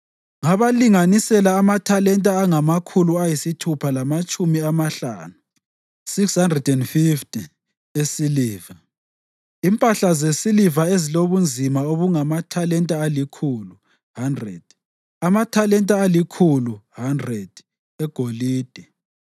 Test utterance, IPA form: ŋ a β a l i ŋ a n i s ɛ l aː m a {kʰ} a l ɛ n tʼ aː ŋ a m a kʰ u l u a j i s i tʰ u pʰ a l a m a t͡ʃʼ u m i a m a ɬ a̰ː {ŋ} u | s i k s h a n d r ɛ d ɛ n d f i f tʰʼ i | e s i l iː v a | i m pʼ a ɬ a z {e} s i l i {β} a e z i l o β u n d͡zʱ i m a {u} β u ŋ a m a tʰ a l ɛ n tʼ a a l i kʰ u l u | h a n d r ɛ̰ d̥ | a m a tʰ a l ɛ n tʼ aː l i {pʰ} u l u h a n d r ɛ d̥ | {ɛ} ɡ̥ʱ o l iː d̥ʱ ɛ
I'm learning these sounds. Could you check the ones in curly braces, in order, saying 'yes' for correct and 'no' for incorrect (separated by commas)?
no, no, yes, no, no, no, yes